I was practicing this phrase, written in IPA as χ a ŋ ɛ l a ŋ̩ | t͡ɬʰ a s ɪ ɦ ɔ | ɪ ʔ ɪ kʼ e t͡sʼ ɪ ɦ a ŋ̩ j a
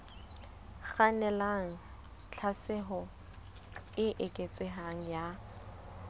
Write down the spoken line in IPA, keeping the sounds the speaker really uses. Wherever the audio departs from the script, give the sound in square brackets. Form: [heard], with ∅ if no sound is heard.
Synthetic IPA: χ a [n] ɛ l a ŋ̩ | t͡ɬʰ a s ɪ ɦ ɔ | ɪ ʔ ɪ kʼ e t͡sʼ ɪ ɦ a ŋ̩ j a